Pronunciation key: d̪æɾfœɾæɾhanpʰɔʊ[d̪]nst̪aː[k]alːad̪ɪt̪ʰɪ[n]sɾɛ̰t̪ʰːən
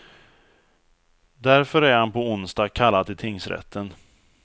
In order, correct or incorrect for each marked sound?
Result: incorrect: none, incorrect: kʰ, incorrect: ŋ

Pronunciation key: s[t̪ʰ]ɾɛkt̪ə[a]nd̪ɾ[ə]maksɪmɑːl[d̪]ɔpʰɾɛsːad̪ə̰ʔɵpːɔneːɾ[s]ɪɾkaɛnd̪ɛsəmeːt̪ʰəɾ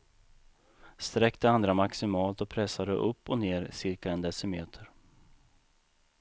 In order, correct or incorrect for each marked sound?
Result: incorrect: t̪, correct, incorrect: a, incorrect: t̪, correct

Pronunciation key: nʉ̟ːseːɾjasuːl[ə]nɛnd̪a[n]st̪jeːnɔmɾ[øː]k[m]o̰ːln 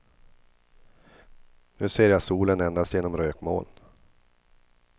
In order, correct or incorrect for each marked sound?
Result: correct, incorrect: none, correct, correct

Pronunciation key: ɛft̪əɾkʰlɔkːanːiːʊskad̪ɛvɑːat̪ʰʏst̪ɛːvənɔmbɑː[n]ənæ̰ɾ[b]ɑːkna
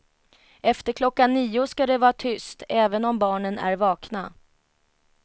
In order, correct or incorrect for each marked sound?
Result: incorrect: ɳ, incorrect: v

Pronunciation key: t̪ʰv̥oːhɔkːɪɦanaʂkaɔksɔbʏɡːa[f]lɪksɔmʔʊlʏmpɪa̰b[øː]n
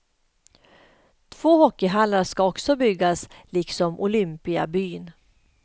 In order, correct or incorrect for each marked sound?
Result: incorrect: s, incorrect: yː

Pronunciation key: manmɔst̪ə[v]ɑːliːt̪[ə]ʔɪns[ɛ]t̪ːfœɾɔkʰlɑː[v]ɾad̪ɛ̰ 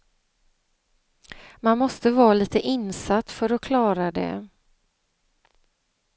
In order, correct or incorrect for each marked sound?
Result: correct, correct, incorrect: a, incorrect: none

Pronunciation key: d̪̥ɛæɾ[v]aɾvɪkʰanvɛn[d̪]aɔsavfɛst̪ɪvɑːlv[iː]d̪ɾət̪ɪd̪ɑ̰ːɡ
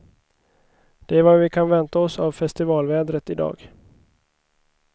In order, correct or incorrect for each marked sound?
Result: correct, incorrect: t̪, incorrect: ɛː

